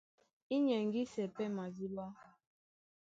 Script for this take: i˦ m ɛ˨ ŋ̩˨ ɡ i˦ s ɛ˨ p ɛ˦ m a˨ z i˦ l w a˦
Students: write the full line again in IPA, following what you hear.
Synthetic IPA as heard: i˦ ɲ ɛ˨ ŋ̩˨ ɡ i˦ s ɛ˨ p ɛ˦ m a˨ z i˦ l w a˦